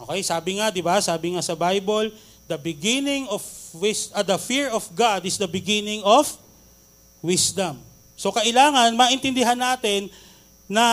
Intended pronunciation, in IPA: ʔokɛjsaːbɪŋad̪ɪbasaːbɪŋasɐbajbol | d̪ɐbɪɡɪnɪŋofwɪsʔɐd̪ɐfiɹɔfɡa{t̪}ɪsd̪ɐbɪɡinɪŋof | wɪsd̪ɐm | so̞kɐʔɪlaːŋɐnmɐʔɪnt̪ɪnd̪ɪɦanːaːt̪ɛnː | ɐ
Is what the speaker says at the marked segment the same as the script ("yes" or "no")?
no